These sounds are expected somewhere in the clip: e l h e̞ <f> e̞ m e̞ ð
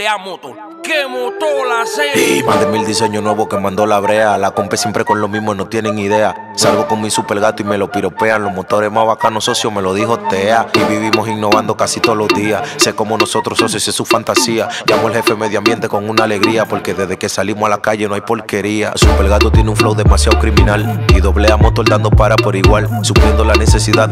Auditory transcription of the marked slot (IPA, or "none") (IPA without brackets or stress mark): f